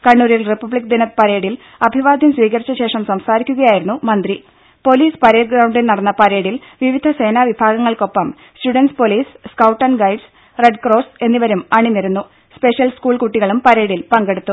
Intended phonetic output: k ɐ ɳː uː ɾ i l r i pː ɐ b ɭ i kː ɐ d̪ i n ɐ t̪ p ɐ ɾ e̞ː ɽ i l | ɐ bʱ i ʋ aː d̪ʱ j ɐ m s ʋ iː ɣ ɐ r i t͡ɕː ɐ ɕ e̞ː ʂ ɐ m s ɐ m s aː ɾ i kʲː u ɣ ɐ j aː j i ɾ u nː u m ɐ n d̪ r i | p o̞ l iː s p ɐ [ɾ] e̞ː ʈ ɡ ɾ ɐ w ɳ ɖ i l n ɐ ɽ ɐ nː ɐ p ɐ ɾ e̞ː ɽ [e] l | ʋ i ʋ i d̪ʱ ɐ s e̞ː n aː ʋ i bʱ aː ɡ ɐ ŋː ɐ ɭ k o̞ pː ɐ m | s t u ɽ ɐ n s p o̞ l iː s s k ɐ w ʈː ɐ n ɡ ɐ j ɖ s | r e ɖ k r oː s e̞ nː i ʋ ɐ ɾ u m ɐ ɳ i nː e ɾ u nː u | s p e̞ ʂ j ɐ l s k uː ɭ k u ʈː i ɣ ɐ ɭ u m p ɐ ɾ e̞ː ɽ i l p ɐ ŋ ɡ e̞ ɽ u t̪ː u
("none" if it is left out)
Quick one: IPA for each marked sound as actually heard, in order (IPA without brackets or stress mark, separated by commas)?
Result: ɾ, i